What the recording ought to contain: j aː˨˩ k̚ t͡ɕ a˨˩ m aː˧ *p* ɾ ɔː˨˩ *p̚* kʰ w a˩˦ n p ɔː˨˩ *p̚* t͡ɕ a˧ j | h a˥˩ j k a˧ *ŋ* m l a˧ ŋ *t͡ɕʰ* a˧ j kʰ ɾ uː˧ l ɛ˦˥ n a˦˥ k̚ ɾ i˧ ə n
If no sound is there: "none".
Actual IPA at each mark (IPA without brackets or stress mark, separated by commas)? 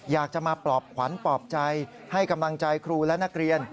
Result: p, p̚, p̚, none, t͡ɕ